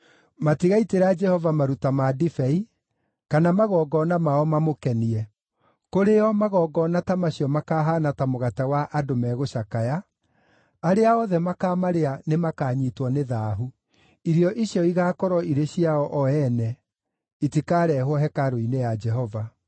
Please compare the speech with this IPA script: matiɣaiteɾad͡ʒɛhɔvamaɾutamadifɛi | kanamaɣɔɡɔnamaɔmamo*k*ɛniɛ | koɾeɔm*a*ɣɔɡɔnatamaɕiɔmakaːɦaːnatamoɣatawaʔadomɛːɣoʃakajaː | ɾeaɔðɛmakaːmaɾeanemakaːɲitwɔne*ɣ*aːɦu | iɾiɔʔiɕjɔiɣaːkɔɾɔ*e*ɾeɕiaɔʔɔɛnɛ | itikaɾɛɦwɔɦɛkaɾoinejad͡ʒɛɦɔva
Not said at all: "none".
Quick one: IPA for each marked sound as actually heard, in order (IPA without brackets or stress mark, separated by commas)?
k, a, ð, i